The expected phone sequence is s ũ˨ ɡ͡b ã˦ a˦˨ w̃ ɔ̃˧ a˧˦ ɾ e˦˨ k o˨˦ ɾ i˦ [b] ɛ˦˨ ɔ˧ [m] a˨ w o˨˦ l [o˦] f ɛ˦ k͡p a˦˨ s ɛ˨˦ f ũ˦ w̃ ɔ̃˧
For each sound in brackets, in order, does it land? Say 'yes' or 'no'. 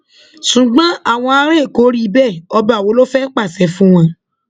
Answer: yes, no, yes

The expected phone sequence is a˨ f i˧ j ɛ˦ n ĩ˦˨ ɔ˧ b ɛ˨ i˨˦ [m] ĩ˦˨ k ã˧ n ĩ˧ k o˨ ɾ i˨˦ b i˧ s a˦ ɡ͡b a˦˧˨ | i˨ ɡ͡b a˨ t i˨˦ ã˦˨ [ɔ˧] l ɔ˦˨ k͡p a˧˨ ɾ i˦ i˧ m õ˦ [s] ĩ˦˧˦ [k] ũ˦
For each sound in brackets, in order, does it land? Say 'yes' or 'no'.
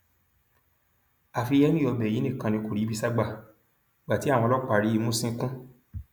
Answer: no, no, yes, yes

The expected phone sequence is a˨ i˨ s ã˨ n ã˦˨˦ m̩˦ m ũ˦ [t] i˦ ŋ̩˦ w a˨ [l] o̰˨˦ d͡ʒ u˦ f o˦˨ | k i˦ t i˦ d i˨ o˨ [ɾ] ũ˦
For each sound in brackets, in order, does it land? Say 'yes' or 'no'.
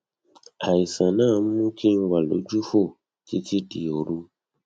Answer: no, yes, yes

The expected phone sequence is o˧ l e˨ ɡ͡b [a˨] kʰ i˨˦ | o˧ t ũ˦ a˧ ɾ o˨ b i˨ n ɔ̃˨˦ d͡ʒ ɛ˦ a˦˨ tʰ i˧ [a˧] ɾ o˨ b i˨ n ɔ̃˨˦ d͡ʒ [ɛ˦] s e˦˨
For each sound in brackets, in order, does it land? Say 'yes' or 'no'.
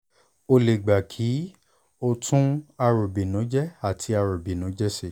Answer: yes, yes, yes

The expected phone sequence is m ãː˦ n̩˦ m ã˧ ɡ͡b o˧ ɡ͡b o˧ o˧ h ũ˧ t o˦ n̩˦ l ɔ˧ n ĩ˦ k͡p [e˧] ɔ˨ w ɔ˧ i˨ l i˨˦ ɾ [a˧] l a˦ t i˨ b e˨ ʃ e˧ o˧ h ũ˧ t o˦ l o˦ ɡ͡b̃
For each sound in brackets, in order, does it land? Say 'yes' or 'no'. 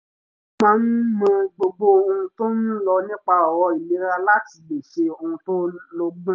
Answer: no, yes

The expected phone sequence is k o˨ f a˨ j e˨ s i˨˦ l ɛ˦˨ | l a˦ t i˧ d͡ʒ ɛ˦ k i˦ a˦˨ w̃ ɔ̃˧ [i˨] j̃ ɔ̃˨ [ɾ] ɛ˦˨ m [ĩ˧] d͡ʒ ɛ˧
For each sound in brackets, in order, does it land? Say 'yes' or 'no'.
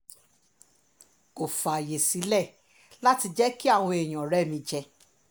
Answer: no, yes, yes

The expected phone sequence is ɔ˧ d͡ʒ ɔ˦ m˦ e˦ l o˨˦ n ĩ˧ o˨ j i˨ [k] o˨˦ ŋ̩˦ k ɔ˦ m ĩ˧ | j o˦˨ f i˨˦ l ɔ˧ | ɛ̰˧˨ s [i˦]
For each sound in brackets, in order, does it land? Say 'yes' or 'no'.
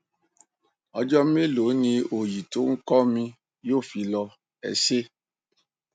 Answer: no, no

